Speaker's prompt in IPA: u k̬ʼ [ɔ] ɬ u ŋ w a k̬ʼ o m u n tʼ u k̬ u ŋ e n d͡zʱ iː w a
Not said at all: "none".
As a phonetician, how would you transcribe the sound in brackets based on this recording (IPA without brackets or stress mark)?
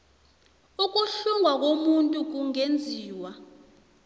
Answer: u